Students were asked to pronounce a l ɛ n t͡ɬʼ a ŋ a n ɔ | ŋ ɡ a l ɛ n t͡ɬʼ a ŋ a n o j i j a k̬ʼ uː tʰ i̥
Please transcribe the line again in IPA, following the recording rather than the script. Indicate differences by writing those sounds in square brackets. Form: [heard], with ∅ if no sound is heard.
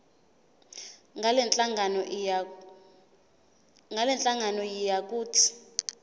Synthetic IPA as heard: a l ɛ n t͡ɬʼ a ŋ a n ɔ | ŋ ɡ a l ɛ n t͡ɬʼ a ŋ a n [ɔ] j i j a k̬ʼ uː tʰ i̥